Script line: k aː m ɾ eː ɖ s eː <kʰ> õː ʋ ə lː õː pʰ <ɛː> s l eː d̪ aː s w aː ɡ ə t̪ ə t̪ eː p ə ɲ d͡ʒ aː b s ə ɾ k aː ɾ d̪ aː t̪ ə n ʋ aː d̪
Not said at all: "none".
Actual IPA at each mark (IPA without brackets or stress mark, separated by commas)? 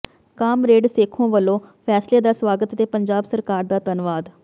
kʰ, ɛː